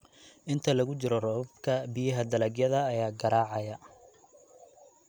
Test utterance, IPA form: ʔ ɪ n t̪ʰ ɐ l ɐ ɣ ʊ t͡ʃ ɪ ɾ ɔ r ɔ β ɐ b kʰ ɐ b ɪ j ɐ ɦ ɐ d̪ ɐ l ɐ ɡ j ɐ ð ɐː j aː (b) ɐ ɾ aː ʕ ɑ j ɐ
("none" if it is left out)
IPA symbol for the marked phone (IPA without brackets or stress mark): ɡ